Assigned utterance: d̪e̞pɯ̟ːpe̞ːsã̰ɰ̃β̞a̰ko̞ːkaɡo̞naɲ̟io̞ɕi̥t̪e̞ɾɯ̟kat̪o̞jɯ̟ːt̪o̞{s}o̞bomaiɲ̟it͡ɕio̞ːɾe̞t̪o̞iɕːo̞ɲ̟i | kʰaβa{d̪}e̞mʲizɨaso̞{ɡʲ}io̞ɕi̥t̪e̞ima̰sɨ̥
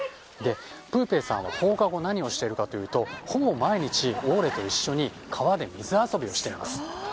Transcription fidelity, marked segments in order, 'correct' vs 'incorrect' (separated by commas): incorrect, correct, incorrect